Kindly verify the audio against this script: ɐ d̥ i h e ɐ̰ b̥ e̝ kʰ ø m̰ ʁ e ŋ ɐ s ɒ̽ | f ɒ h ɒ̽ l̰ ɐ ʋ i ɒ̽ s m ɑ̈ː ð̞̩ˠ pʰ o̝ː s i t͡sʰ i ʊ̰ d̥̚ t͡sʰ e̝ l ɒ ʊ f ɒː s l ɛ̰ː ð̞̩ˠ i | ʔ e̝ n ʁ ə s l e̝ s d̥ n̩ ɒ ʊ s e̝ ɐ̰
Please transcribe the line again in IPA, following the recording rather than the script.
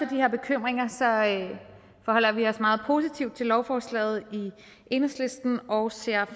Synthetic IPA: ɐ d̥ i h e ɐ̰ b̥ e̝ kʰ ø m̰ ʁ e ŋ ɐ s ɒ̽ | f ɒ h ɒ̽ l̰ ɐ ʋ i ɒ̽ s m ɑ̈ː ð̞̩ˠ pʰ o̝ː s i t͡sʰ i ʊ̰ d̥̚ t͡sʰ e̝ l ɒ ʊ f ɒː s l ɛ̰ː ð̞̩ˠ i | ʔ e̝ n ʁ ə s l e̝ s d̥ n̩ ɒ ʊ s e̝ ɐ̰